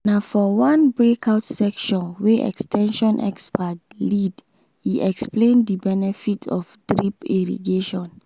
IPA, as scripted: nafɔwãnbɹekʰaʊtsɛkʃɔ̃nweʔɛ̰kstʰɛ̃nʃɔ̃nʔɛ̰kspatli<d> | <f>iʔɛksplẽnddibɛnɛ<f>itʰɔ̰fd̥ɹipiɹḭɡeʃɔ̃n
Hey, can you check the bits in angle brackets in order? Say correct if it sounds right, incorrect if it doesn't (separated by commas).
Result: correct, incorrect, correct